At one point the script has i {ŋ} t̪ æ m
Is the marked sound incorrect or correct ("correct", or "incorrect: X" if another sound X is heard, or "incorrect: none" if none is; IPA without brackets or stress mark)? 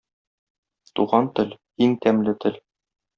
correct